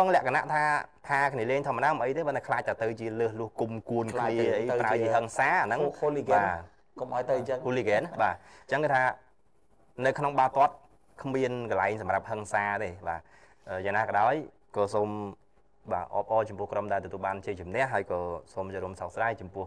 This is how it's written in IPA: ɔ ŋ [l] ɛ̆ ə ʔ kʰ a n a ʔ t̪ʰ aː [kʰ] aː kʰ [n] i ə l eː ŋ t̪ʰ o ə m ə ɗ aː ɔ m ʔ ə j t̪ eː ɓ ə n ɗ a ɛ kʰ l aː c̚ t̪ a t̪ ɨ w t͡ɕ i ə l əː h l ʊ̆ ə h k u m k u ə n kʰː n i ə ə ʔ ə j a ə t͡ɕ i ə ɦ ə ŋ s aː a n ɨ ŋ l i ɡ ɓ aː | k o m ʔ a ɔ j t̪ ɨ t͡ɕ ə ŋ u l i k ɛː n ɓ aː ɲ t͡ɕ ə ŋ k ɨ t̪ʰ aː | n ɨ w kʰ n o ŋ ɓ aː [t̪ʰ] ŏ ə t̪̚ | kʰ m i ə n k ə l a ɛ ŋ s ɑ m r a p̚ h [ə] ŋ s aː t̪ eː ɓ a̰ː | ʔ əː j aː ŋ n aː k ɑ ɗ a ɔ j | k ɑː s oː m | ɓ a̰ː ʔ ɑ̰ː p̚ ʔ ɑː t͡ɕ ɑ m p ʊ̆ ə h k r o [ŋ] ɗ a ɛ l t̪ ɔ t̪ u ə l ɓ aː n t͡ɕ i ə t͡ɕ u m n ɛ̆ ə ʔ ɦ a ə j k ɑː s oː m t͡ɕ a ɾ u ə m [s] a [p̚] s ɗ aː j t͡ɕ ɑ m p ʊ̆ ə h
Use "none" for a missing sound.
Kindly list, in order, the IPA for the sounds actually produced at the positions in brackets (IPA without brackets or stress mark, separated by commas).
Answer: l, pʰ, n, t̪, ə, m, s, k̚